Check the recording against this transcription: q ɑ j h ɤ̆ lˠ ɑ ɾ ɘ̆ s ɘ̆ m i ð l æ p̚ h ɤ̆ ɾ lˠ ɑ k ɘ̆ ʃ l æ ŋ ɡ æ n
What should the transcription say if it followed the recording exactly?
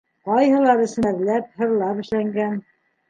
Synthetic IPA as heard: q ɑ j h ɤ̆ lˠ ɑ ɾ ɘ̆ s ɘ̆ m æ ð l æ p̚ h ɤ̆ ɾ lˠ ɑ p ɘ̆ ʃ l æ ŋ ɡ æ n